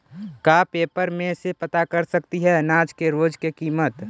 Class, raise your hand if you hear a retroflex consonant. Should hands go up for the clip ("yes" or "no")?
no